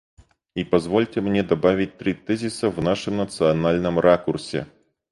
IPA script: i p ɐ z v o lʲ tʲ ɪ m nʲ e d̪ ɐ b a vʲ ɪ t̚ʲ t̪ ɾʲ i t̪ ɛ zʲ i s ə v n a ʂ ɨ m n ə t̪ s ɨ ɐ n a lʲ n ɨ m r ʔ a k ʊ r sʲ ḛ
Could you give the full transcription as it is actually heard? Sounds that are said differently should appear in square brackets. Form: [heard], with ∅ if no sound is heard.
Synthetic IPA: i p ɐ z v o lʲ tʲ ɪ m nʲ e d̪ ɐ b a vʲ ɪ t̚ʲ t̪ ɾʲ i t̪ ɛ zʲ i s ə v n a ʂ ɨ m n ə t̪ s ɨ ɐ n a lʲ n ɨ m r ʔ a k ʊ r sʲ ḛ